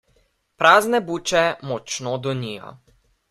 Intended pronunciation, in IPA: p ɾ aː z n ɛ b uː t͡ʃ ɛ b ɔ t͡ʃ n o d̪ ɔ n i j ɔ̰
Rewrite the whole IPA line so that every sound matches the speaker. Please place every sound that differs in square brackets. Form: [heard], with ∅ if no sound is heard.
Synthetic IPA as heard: p ɾ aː z n ɛ b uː t͡ʃ ɛ [m] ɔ t͡ʃ n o d̪ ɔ n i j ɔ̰